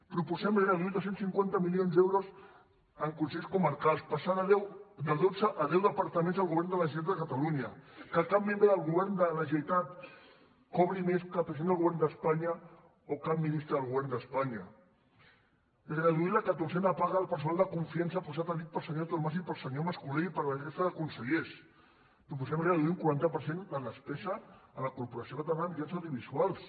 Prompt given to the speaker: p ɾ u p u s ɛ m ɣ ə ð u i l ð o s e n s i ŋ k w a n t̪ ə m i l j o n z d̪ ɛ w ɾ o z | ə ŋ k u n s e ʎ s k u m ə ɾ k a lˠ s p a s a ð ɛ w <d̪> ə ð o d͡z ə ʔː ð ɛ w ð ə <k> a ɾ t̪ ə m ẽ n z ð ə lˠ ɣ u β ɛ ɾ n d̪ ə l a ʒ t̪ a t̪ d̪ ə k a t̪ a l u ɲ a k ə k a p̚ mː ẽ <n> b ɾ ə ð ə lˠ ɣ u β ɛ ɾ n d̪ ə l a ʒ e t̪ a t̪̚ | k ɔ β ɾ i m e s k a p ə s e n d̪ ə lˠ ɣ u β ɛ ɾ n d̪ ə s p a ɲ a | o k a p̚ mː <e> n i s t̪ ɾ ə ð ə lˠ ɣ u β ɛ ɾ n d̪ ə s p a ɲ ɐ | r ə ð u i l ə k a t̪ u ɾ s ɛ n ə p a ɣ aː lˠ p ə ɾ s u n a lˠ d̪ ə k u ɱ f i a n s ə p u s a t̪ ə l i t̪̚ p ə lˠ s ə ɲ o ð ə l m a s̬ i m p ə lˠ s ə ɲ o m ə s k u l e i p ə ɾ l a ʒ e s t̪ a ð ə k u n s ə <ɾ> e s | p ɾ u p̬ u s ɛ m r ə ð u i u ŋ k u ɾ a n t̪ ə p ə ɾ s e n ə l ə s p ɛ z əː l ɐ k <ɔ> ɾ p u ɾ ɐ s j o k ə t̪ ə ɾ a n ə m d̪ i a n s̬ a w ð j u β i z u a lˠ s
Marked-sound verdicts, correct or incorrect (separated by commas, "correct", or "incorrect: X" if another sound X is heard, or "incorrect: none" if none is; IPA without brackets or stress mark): correct, incorrect: p, incorrect: m, incorrect: i, incorrect: ʎ, incorrect: u